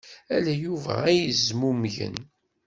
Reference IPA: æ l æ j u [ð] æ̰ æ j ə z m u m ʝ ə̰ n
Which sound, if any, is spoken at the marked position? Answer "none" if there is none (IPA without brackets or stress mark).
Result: v